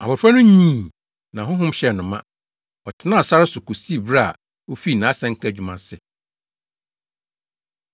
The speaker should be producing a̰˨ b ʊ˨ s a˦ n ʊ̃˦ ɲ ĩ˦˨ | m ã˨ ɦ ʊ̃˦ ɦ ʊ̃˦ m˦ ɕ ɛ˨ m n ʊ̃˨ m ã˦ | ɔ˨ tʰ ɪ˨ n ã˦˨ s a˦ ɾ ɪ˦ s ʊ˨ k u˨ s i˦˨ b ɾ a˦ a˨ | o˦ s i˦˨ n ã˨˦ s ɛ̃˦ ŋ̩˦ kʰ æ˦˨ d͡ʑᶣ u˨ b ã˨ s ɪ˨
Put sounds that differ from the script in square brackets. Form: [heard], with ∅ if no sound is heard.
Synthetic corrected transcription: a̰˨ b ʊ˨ [f] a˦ n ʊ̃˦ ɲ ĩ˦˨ | [n] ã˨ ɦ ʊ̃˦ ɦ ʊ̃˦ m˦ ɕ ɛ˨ [∅] n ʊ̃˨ m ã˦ | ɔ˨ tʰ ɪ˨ n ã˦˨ s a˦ ɾ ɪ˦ s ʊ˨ k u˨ s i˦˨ b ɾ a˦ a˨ | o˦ [f] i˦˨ n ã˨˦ s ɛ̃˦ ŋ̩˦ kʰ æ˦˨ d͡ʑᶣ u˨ [m] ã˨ s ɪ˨

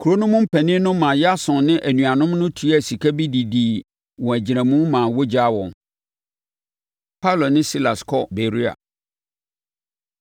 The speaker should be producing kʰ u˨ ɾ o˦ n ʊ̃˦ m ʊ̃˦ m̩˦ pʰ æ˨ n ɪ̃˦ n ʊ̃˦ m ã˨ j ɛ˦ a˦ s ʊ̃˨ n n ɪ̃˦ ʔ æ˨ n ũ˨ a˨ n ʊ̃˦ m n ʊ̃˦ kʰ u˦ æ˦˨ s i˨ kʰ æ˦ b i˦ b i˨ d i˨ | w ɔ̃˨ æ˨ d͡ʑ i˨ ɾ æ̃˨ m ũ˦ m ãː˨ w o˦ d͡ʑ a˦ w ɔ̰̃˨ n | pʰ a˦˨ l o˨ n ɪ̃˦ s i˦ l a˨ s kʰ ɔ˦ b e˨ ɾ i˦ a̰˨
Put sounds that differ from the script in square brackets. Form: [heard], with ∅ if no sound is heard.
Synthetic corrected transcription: kʰ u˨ ɾ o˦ n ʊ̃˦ m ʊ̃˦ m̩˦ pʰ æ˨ n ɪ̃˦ n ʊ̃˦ m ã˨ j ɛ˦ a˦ s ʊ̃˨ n n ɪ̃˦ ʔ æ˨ n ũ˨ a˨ n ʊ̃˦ m n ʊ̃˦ [tʰ] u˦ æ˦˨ s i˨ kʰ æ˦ b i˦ [d] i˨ d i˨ | w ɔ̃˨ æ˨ d͡ʑ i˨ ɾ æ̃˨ m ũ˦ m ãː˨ w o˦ d͡ʑ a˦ w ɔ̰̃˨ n | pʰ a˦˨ l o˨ n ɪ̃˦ s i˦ l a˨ s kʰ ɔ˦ b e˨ ɾ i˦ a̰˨

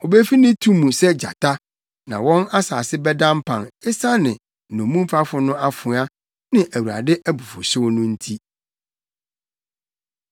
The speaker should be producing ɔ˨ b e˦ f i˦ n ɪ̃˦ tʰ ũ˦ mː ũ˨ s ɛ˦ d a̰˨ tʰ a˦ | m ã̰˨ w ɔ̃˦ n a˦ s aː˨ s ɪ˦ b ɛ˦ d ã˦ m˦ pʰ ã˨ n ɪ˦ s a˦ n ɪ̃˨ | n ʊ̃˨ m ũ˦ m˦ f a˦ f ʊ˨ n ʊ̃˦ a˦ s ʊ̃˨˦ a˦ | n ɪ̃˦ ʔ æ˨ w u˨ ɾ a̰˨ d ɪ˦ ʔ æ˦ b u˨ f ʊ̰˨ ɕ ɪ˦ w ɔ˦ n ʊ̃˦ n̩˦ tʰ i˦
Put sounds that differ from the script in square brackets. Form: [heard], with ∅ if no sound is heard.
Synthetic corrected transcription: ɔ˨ b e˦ f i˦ n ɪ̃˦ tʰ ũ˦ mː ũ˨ s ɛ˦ [d͡ʑ] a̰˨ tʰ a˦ | [n] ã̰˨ w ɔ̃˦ n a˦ s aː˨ s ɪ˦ b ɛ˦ d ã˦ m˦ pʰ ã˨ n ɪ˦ s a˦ n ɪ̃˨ | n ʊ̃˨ m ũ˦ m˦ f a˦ f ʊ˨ n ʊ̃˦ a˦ [f] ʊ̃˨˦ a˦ | n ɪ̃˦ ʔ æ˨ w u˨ ɾ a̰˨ d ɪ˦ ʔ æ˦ b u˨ f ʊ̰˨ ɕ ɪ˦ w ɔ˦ n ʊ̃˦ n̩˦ tʰ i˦

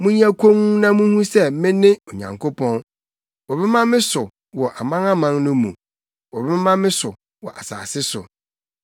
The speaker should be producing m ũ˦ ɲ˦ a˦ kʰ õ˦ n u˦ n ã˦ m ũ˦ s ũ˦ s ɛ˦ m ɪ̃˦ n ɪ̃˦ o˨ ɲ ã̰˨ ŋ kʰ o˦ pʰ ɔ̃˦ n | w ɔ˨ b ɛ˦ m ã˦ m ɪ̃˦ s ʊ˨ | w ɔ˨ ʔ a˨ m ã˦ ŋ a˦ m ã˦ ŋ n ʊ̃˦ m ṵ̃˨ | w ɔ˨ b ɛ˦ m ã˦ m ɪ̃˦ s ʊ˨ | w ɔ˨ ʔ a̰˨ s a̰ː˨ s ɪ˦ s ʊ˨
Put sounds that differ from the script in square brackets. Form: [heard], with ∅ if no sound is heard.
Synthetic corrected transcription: m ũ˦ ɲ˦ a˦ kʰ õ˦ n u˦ n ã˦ m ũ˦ [h] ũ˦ s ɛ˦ m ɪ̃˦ n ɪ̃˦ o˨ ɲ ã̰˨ ŋ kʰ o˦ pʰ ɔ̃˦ n | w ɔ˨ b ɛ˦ m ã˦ m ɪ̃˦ s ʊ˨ | w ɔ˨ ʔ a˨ m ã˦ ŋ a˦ m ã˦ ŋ n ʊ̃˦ m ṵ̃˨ | w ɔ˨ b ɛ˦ m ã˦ m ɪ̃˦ s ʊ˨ | w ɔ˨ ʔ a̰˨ s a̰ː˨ s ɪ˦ s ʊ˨

